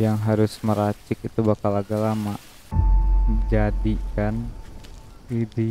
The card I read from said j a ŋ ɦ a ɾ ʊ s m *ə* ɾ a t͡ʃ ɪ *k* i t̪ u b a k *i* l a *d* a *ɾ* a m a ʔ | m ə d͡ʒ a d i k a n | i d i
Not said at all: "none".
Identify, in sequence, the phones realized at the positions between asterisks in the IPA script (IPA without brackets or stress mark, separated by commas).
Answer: ə, k, a, ɡ, l